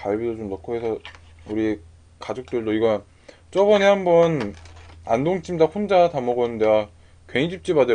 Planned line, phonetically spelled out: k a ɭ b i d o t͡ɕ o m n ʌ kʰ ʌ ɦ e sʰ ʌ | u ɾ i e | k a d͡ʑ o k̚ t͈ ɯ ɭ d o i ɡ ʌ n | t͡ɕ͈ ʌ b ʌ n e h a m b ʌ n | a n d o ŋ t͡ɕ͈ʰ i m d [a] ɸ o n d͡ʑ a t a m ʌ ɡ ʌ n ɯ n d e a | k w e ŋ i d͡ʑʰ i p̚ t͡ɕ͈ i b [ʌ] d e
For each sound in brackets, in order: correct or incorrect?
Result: correct, incorrect: a

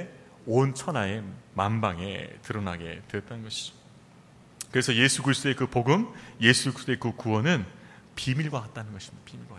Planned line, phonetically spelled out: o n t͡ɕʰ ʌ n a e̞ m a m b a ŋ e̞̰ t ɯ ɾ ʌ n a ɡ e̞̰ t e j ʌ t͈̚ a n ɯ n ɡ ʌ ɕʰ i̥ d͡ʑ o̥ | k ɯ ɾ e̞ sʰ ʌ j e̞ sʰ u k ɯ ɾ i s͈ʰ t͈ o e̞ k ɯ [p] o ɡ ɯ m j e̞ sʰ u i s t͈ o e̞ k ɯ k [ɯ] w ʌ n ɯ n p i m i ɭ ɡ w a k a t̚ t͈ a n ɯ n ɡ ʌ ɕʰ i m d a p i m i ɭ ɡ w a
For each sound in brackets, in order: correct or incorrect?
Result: correct, incorrect: u

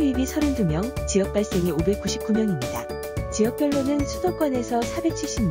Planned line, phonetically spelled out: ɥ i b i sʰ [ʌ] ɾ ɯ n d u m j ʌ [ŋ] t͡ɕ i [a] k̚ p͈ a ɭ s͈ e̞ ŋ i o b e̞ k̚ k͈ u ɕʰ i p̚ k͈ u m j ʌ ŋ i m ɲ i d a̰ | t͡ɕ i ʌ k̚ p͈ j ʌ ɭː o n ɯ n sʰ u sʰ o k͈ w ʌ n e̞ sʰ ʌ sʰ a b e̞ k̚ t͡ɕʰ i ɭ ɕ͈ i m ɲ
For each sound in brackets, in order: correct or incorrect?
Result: correct, correct, incorrect: ʌ

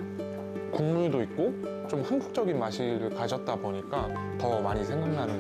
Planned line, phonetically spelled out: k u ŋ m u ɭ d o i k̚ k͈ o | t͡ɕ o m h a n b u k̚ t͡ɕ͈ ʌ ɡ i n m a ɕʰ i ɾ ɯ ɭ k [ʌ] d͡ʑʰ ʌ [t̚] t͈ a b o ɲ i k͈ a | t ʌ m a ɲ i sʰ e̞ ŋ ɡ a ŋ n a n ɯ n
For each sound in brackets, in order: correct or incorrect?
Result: incorrect: a, correct

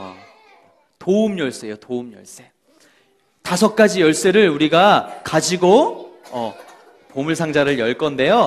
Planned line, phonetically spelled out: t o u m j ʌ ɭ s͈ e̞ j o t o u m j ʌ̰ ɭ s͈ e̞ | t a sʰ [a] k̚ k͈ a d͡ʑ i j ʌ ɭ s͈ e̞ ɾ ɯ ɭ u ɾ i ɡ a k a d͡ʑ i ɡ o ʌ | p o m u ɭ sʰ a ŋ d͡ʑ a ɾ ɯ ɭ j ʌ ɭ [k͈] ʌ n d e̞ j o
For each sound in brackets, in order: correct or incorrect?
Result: incorrect: ʌ, correct

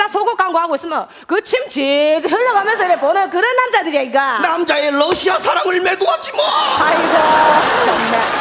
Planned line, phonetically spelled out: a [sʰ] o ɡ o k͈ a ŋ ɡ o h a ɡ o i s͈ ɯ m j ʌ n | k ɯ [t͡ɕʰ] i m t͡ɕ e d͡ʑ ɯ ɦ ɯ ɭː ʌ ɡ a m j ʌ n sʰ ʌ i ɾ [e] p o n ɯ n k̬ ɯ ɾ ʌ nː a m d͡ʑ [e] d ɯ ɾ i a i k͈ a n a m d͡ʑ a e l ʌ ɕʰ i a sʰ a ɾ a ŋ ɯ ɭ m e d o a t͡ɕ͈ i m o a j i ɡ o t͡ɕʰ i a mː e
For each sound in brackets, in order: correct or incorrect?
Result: correct, correct, correct, incorrect: a

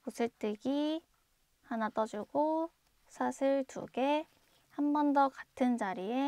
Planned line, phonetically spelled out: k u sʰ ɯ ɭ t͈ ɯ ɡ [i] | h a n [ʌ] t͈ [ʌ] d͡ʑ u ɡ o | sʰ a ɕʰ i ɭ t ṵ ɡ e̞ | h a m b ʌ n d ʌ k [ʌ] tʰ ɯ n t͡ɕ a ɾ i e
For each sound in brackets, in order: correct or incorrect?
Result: correct, incorrect: a, correct, incorrect: a

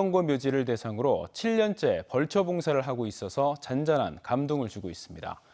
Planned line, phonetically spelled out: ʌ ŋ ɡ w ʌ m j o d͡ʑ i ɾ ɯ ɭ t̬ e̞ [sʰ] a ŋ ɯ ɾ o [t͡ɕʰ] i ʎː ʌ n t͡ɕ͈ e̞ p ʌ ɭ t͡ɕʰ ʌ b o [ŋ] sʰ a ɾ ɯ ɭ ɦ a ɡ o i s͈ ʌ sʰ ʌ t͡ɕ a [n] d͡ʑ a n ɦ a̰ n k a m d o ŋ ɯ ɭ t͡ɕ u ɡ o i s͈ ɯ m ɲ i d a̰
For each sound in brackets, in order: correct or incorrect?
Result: correct, correct, correct, correct

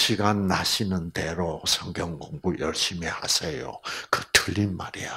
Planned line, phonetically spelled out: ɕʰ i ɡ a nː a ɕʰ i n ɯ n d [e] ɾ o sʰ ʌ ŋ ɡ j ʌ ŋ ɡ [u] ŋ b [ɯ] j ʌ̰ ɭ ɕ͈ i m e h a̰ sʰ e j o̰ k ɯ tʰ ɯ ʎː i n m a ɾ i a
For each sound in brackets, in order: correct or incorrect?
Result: correct, incorrect: o, incorrect: u

